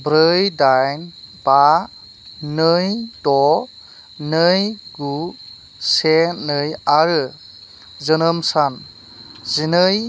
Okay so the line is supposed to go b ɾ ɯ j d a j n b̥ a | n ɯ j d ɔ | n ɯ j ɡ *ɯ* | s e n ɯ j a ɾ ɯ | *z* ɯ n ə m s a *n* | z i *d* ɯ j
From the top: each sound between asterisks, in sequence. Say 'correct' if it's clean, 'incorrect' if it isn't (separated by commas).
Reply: incorrect, correct, correct, incorrect